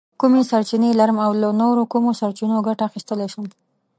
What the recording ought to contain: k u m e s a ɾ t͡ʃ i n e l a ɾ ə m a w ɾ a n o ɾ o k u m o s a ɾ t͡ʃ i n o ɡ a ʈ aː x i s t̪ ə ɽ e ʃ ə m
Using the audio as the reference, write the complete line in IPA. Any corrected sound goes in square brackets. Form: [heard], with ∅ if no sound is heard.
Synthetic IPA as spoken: k u m e s a ɾ t͡ʃ i n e l a ɾ ə m a w [l] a n o ɾ o k u m o s a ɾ t͡ʃ i n o ɡ a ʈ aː x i s t̪ ə [l] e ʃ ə m